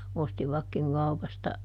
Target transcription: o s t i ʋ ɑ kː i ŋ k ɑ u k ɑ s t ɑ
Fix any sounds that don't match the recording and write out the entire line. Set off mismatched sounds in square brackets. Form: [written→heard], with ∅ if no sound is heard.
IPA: o s t i ʋ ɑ kː i ŋ k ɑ u [k→p] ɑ s t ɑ